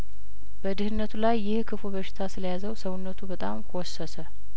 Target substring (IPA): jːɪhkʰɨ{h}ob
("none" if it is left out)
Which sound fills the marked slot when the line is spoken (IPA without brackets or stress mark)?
f